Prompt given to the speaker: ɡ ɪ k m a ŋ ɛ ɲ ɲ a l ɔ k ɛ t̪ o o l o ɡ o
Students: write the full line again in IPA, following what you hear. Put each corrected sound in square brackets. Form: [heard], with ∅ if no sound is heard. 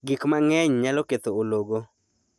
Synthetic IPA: ɡ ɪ k m a ŋ ɛ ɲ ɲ a l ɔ k [e] t̪ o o l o ɡ o